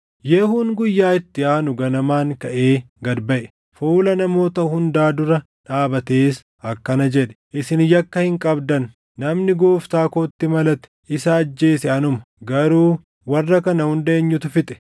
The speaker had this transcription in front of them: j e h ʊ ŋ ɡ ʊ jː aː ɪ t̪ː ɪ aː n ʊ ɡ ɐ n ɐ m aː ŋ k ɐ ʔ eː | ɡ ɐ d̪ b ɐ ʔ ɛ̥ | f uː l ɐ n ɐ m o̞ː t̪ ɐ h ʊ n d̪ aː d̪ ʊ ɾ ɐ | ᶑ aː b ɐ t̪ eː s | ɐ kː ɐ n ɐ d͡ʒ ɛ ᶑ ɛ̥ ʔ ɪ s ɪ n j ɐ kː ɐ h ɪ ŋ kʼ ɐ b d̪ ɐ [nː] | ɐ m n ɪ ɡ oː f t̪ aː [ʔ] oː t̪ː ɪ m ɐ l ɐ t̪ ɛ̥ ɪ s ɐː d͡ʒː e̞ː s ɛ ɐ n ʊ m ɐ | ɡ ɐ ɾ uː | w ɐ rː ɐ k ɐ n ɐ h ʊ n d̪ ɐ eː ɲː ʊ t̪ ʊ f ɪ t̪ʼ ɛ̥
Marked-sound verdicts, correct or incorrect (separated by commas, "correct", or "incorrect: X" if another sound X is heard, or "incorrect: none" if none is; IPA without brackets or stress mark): correct, incorrect: k